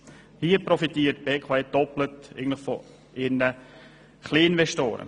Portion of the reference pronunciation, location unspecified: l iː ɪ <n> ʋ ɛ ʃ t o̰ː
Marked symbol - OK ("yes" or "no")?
yes